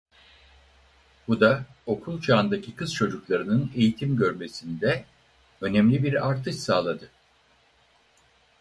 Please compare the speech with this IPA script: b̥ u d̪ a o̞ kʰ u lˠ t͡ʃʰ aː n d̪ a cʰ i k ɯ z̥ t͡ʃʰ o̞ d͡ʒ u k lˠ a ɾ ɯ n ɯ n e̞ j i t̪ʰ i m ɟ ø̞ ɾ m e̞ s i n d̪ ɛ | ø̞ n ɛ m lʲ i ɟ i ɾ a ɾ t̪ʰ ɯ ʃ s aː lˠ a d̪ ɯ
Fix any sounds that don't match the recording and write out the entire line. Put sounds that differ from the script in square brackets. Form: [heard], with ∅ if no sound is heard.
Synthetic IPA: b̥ u d̪ a o̞ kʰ u lˠ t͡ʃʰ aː n d̪ a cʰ i k ɯ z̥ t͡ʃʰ o̞ d͡ʒ u k lˠ a ɾ ɯ n ɯ n e̞ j i t̪ʰ i m ɟ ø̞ ɾ m e̞ s i n d̪ ɛ | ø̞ n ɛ m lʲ i [b] i ɾ a ɾ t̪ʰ ɯ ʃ s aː lˠ a d̪ ɯ